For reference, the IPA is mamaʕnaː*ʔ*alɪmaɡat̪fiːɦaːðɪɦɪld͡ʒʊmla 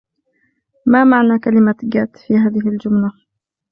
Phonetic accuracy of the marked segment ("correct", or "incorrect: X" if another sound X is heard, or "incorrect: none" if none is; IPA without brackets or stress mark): incorrect: k